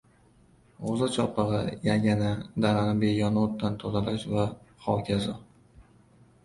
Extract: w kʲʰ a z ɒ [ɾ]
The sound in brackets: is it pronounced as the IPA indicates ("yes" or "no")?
no